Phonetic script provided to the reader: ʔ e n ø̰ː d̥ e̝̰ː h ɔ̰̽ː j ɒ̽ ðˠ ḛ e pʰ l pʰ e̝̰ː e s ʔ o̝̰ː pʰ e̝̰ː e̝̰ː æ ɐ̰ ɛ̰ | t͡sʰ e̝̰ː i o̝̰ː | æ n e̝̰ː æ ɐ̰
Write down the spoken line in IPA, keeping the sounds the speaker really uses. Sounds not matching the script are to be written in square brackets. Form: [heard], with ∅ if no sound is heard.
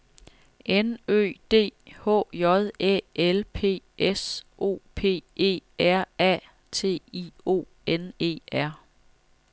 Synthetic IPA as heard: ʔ e n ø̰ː d̥ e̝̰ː h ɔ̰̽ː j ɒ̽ ðˠ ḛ e [∅] l pʰ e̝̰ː e s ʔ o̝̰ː pʰ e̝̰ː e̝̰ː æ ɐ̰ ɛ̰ | t͡sʰ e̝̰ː i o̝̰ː | [e] n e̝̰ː æ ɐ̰

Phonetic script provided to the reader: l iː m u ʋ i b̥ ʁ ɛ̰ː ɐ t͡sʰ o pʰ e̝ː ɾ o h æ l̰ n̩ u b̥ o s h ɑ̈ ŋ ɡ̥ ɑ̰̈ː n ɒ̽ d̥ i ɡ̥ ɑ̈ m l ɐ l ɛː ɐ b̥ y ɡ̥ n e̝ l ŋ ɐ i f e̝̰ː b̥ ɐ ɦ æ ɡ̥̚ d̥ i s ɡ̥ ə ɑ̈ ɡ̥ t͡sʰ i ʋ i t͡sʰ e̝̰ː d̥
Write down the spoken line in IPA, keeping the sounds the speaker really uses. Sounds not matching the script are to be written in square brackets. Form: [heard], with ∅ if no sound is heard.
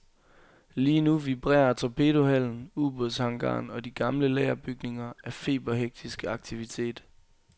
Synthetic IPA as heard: l iː [n] u ʋ i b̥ ʁ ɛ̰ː ɐ t͡sʰ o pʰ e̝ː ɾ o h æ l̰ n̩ u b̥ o s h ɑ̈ ŋ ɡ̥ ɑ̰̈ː n ɒ̽ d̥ i ɡ̥ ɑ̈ m l [ə] l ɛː ɐ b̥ y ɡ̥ n e̝ [∅] ŋ ɐ [æ] f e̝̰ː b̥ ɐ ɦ [e] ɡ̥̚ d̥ i s ɡ̥ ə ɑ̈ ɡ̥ t͡sʰ i ʋ i t͡sʰ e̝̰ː d̥

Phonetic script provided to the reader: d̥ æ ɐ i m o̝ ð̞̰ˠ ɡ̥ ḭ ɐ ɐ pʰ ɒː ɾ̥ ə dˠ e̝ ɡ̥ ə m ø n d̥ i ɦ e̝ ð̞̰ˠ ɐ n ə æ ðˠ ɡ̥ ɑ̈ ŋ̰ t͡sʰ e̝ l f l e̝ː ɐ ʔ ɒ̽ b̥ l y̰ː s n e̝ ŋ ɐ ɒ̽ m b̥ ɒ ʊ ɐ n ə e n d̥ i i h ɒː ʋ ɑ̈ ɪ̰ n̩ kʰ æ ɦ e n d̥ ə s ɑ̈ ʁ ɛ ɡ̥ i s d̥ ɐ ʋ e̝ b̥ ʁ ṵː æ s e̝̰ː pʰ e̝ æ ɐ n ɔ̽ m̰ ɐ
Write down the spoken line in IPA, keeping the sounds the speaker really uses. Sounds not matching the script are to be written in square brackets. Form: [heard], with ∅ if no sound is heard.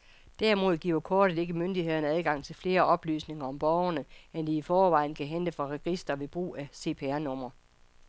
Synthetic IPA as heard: d̥ æ ɐ i m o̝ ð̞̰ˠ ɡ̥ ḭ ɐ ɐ [kʰ] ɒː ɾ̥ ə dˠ e̝ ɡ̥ ə m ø n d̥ i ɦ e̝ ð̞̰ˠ ɐ n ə æ ðˠ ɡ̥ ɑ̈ ŋ̰ t͡sʰ e̝ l f l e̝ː ɐ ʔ ɒ̽ b̥ l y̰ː s n e̝ ŋ ɐ ɒ̽ m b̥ ɒ ʊ ɐ n ə e n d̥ i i [f] ɒː ʋ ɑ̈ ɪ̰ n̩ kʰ æ ɦ e n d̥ ə [f] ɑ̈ ʁ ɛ ɡ̥ i s d̥ ɐ ʋ e̝ b̥ ʁ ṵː æ s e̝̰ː pʰ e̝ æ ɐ n ɔ̽ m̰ ɐ

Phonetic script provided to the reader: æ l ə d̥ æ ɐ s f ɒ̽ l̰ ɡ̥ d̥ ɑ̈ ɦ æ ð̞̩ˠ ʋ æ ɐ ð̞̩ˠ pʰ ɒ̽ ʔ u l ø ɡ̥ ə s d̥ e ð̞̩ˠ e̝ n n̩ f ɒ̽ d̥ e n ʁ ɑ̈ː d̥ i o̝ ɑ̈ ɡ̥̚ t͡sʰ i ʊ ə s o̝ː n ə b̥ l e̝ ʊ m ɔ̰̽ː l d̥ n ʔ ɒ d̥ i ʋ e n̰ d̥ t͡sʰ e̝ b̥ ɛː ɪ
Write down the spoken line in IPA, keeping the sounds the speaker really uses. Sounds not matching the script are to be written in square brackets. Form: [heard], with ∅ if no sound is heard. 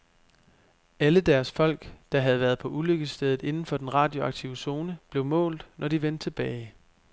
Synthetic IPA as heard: æ l ə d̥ æ ɐ s f ɒ̽ l̰ ɡ̥ d̥ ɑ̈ ɦ æ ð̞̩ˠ ʋ æ ɐ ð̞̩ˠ pʰ ɒ̽ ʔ u l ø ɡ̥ ə s d̥ e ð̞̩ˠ e̝ n n̩ f ɒ̽ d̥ e n ʁ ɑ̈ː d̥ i o̝ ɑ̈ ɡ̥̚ t͡sʰ i ʊ ə s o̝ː n ə b̥ l e̝ ʊ m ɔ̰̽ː l d̥ n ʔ ɒ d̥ i ʋ e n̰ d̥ t͡sʰ e̝ b̥ ɛː ɪ

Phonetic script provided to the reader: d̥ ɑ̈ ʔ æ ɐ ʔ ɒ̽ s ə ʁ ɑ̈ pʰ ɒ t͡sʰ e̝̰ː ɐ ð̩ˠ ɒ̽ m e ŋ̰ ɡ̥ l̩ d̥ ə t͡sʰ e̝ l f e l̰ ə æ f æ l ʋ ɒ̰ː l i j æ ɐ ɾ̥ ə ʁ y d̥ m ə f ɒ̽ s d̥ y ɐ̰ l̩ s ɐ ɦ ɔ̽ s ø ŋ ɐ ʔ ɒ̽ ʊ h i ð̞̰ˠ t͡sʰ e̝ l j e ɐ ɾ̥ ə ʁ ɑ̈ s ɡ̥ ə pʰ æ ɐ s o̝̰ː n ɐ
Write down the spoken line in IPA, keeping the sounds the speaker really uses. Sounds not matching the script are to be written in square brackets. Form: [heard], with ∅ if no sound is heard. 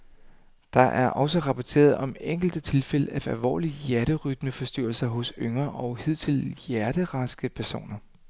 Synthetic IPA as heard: d̥ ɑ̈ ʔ æ ɐ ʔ ɒ̽ s ə ʁ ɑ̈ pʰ ɒ t͡sʰ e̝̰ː ɐ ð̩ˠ ɒ̽ m e ŋ̰ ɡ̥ l̩ d̥ ə t͡sʰ e̝ l f e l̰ ə æ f æ l ʋ ɒ̰ː l i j æ ɐ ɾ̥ ə ʁ y d̥ m ə f ɒ̽ s d̥ y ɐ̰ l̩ s ɐ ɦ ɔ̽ s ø ŋ ɐ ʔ ɒ̽ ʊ h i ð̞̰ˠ t͡sʰ e̝ l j [æ] ɐ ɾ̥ ə ʁ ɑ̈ s ɡ̥ ə pʰ æ ɐ s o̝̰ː n ɐ

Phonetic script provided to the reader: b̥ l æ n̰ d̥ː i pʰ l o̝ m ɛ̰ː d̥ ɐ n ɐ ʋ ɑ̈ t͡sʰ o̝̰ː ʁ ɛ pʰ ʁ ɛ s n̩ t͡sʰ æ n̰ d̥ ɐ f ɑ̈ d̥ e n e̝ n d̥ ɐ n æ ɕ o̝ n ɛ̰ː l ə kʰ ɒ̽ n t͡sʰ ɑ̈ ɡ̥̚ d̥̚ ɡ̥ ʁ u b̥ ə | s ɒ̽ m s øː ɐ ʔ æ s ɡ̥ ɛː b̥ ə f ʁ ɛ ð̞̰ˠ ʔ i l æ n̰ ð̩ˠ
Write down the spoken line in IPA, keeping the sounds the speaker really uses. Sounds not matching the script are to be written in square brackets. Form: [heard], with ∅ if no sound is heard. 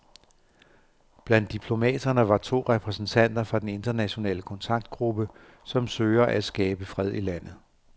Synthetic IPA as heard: b̥ l æ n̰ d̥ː i pʰ l o̝ m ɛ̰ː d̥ ɐ n [ə] ʋ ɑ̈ t͡sʰ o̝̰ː ʁ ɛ pʰ ʁ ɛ s n̩ t͡sʰ æ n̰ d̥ ɐ f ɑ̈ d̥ e n e̝ n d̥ ɐ n æ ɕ o̝ n ɛ̰ː l ə kʰ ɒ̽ n t͡sʰ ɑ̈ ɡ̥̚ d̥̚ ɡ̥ ʁ u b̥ ə | s ɒ̽ m s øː ɐ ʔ æ s ɡ̥ ɛː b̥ ə f ʁ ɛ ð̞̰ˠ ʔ i l æ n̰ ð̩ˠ

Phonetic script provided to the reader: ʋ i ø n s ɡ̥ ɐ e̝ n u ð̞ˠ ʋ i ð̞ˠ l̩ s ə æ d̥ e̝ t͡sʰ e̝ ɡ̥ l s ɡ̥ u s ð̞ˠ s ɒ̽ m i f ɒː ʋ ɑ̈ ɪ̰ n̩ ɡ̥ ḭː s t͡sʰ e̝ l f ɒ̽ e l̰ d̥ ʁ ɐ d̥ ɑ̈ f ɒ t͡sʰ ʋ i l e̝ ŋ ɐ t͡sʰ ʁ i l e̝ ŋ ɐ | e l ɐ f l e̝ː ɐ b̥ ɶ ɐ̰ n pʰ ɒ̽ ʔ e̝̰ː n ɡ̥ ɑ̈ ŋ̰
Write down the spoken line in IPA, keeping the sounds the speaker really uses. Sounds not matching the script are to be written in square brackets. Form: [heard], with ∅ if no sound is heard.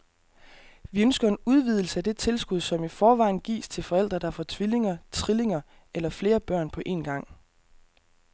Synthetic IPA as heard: ʋ i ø n s ɡ̥ ɐ e̝ n u ð̞ˠ ʋ i ð̞ˠ l̩ s ə æ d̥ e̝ t͡sʰ e̝ [∅] l s ɡ̥ u [∅] ð̞ˠ s ɒ̽ m i f ɒː ʋ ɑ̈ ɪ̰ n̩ ɡ̥ ḭː s t͡sʰ e̝ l f ɒ̽ e l̰ d̥ ʁ ɐ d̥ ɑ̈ f ɒ t͡sʰ ʋ i l e̝ ŋ ɐ t͡sʰ ʁ i l e̝ ŋ ɐ | e l ɐ f l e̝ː ɐ b̥ ɶ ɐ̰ n pʰ ɒ̽ ʔ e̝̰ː n ɡ̥ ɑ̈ ŋ̰

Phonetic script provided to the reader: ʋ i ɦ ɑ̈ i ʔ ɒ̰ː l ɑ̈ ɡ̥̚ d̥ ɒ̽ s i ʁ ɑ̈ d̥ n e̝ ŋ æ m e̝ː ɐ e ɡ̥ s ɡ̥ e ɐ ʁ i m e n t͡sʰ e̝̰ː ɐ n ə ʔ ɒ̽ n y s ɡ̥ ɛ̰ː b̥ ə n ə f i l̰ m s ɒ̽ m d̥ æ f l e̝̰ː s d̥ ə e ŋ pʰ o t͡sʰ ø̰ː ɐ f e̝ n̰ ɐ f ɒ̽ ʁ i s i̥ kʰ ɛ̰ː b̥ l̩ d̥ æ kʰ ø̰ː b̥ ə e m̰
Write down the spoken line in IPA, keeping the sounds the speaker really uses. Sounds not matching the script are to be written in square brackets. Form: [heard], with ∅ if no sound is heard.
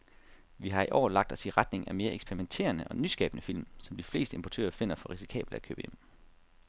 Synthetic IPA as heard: ʋ i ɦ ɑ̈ i ʔ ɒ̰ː l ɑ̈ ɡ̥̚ d̥ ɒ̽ s i ʁ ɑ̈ d̥ n e̝ ŋ æ m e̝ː ɐ e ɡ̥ s [b̥] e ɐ ʁ i m e n t͡sʰ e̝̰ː ɐ n ə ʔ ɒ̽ n y s ɡ̥ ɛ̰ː b̥ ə n ə f i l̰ m s ɒ̽ m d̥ [i] f l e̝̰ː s d̥ ə e [m] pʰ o t͡sʰ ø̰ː ɐ f e̝ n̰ ɐ f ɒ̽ ʁ i s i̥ kʰ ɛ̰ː b̥ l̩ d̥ æ kʰ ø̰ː b̥ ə e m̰

